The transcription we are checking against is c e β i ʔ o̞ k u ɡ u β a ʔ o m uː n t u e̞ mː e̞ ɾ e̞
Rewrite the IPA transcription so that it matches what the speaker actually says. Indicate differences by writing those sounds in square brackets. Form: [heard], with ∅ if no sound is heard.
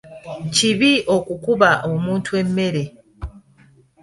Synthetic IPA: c [i] β i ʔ o̞ k u [k] u β a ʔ o m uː n t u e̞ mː e̞ ɾ e̞